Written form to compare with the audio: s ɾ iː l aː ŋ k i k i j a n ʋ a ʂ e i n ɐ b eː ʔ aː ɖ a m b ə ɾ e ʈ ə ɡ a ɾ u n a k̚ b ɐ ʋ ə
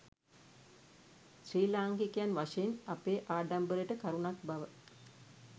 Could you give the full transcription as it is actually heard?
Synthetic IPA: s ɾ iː l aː ŋ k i k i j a n ʋ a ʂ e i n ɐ p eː ʔ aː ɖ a m b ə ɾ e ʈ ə k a ɾ u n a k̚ b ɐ ʋ ə